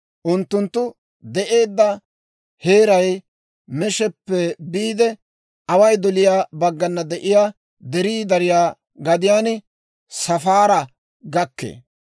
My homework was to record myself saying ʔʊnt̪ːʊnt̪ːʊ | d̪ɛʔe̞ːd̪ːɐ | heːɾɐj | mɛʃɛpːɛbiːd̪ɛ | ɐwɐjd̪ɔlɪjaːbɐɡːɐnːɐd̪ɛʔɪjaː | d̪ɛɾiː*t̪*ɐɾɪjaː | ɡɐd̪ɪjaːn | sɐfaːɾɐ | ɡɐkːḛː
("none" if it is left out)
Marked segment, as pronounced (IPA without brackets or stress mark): d̪